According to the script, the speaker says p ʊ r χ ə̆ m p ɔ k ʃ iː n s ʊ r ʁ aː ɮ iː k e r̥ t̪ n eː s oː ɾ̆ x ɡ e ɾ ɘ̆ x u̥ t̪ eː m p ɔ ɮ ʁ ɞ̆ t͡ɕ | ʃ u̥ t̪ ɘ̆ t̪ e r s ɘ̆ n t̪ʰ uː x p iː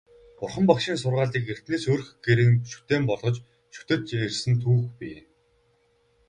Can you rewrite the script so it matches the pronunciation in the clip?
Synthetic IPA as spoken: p ʊ r χ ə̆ m p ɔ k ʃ iː n s ʊ r ʁ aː ɮ iː k e r̥ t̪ n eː s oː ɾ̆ x ɡ e ɾ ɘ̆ ʃ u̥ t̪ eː m p ɔ ɮ ʁ ɞ̆ t͡ɕ | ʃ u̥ t̪ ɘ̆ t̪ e r s ɘ̆ n t̪ʰ uː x p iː